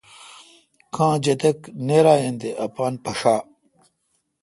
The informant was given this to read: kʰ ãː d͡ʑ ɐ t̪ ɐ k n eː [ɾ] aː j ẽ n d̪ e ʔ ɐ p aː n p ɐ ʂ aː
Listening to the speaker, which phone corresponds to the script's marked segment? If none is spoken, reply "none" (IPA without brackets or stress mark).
ɾ